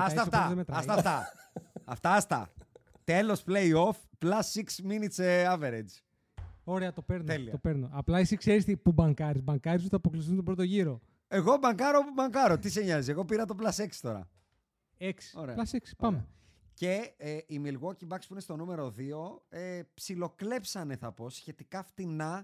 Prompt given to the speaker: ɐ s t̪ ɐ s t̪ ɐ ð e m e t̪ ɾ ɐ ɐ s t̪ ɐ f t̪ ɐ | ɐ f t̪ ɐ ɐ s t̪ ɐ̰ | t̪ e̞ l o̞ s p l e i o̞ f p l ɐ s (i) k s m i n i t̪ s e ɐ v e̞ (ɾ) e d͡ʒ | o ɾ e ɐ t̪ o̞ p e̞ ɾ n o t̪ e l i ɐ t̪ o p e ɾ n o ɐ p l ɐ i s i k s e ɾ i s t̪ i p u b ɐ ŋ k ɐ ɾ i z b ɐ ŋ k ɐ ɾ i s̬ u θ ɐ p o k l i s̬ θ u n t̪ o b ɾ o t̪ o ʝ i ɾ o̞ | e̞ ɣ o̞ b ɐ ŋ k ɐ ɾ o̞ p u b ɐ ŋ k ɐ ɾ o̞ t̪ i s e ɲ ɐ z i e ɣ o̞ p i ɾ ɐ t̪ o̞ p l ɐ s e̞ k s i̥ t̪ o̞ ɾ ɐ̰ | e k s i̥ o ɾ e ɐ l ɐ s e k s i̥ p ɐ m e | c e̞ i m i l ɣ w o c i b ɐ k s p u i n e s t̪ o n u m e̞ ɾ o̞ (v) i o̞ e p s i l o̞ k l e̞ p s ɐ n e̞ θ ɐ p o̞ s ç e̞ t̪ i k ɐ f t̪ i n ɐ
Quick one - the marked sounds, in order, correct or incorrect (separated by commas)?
correct, correct, incorrect